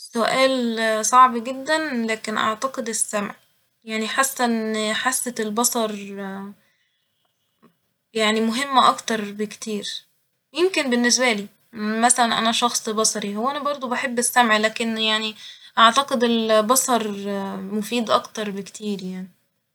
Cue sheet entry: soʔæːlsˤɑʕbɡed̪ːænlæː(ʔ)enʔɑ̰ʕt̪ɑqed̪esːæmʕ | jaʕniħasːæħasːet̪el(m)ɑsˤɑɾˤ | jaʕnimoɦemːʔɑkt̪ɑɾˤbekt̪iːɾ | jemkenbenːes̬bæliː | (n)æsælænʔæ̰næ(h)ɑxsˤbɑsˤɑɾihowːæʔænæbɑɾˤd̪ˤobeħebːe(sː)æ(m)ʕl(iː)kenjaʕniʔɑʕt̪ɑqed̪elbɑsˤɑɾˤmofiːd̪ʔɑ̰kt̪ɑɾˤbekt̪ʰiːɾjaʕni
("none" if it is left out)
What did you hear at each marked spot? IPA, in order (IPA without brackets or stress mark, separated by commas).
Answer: k, b, m, ʃ, sː, m, æː